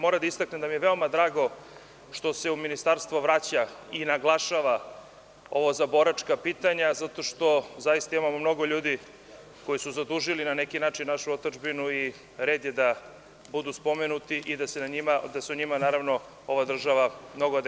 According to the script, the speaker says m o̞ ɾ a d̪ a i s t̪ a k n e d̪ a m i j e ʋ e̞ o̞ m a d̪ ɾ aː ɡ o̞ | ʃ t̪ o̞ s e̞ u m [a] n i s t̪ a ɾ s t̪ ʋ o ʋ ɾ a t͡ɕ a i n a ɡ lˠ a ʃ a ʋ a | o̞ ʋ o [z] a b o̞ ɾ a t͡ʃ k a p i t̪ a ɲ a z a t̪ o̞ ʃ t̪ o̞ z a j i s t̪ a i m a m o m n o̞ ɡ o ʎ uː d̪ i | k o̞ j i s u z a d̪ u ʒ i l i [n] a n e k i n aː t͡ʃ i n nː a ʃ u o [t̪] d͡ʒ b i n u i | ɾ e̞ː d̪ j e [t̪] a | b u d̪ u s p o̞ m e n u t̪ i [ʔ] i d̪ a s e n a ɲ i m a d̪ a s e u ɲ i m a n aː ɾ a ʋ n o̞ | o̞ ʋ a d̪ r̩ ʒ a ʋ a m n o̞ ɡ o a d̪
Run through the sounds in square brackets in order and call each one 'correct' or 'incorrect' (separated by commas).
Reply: incorrect, correct, correct, correct, incorrect, correct